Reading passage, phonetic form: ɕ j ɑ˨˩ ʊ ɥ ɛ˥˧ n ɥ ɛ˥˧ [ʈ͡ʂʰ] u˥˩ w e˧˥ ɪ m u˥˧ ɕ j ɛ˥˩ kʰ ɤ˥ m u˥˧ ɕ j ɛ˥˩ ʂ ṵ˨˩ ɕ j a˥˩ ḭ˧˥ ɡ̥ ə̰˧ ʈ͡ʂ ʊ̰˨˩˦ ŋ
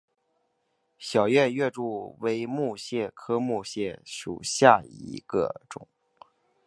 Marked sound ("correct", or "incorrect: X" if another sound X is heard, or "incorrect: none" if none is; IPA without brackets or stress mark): incorrect: ʈ͡ʂ